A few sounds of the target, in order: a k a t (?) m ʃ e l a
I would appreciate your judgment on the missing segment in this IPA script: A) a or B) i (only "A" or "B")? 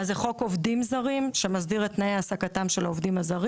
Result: A